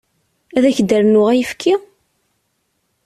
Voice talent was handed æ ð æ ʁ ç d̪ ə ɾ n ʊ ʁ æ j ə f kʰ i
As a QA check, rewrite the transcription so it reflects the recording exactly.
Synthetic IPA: æ ð æ ç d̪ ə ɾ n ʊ ʁ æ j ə f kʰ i